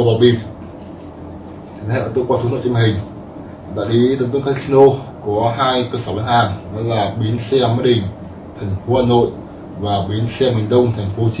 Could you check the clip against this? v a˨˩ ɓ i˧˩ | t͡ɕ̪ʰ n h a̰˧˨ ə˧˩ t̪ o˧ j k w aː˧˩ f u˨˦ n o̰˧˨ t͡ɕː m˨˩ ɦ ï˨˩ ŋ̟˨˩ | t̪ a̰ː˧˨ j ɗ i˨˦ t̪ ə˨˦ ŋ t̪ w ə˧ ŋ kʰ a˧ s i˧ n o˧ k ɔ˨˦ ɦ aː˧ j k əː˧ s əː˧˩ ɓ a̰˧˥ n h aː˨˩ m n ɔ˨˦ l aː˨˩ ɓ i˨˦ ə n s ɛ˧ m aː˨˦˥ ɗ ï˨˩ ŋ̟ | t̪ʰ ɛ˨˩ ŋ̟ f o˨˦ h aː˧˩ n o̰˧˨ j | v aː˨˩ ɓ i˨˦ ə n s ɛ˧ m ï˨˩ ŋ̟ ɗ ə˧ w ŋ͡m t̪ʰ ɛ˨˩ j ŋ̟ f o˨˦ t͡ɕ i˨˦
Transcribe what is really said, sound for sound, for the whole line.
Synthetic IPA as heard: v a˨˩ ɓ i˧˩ | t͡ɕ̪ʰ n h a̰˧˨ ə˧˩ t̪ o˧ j k w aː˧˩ s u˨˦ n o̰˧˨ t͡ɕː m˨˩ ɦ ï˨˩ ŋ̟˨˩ | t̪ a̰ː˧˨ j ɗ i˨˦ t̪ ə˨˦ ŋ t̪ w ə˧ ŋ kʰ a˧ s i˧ n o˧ k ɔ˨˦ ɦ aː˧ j k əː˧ s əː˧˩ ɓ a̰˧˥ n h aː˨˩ ŋ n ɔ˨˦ l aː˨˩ ɓ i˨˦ ə n s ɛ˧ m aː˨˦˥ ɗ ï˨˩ ŋ̟ | t̪ʰ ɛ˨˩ ŋ̟ f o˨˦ h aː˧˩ n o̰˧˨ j | v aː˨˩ ɓ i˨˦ ə n s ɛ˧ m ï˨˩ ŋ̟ ɗ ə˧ w ŋ͡m t̪ʰ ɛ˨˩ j ŋ̟ f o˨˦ t͡ɕ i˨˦